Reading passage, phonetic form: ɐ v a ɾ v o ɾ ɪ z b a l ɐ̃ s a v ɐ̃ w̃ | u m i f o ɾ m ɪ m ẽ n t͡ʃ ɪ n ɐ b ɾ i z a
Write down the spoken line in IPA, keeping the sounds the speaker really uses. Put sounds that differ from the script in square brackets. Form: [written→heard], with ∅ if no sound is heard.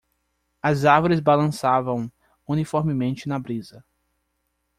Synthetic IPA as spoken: ɐ [v→z] a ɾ v o ɾ ɪ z b a l ɐ̃ s a v ɐ̃ w̃ | u [m→n] i f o ɾ m ɪ m ẽ n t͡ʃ ɪ n ɐ b ɾ i z [a→ɐ]